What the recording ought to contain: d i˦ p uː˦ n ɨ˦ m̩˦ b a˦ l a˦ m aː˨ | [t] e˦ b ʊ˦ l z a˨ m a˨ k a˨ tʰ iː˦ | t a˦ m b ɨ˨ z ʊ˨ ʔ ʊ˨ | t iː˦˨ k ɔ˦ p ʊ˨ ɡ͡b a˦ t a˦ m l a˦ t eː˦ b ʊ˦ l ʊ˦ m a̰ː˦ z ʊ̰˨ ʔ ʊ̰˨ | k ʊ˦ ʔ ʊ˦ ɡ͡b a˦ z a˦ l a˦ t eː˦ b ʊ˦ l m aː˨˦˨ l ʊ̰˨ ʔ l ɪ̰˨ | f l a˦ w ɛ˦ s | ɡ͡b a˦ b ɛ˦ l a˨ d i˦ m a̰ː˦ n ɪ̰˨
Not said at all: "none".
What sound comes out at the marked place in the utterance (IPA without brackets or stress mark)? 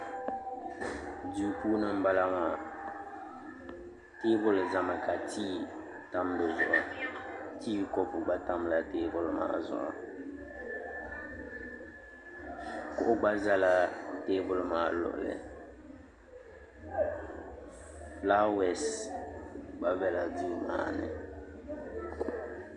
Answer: t